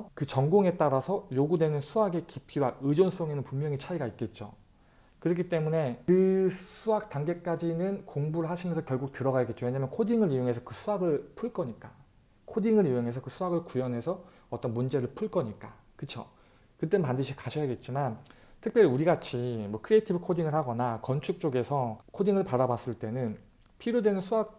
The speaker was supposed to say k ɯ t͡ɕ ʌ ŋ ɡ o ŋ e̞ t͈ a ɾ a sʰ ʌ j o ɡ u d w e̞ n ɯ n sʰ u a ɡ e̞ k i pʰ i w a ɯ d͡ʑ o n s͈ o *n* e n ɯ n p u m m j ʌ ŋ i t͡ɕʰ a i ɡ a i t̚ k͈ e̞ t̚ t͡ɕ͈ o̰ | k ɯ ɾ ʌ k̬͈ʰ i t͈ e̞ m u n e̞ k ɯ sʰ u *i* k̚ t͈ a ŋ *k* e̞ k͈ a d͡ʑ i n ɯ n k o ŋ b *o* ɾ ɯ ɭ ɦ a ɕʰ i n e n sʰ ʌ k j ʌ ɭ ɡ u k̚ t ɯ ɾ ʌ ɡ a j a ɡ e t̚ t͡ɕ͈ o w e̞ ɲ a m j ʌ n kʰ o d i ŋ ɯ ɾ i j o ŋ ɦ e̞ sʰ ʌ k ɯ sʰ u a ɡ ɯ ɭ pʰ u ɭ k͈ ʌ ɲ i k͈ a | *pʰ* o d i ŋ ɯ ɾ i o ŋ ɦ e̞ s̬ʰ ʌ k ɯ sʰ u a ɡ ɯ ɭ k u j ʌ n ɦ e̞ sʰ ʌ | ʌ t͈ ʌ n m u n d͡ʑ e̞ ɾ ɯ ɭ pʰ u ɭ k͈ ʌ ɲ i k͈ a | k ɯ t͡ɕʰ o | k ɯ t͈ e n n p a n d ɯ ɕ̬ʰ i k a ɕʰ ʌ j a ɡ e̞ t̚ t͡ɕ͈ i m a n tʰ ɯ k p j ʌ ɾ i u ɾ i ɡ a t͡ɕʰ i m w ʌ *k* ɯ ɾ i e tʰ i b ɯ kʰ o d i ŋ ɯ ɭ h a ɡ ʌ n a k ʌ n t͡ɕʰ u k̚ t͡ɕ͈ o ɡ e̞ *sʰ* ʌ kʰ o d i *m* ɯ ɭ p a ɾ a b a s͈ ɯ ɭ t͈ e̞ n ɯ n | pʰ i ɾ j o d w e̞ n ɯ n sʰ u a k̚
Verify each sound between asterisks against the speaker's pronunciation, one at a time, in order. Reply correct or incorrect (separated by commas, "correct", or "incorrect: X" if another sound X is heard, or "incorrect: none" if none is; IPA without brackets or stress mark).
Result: incorrect: ŋ, incorrect: a, incorrect: ɡ, incorrect: u, incorrect: kʰ, incorrect: kʰ, correct, incorrect: ŋ